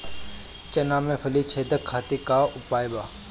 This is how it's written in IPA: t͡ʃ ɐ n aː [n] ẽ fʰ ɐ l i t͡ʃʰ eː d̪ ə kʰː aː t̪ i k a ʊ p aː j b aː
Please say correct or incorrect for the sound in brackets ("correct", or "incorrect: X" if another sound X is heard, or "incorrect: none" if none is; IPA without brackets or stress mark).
incorrect: m